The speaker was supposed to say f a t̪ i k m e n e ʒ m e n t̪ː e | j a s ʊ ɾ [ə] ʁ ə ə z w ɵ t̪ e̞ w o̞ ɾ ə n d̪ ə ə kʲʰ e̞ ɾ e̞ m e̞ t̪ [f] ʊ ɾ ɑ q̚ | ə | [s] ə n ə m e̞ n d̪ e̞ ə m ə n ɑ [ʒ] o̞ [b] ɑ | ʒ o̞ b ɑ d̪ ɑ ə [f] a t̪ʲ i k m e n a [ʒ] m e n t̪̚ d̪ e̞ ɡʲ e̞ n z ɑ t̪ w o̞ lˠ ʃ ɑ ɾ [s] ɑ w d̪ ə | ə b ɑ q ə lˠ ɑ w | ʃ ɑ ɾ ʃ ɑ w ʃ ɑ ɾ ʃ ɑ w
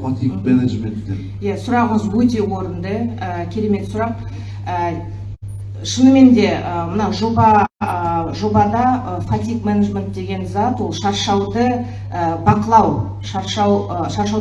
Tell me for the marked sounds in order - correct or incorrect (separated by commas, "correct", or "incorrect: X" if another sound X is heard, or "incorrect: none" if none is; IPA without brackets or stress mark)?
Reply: incorrect: ɑ, incorrect: s, incorrect: ʃ, correct, correct, correct, correct, incorrect: ʃ